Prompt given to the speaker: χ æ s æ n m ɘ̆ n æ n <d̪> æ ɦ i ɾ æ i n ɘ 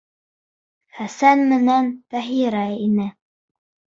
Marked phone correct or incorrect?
incorrect